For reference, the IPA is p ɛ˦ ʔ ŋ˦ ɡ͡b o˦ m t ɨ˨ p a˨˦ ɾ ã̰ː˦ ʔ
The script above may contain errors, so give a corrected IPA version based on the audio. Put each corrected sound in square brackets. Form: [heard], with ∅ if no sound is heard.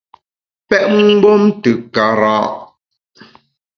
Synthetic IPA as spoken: p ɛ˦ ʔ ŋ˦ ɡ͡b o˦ m t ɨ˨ [k] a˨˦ ɾ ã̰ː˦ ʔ